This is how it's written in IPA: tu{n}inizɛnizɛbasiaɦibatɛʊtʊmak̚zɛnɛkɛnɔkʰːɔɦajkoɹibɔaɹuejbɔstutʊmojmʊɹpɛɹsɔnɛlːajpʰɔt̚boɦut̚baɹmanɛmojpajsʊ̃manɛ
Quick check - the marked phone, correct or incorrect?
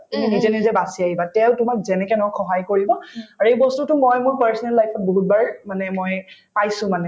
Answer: incorrect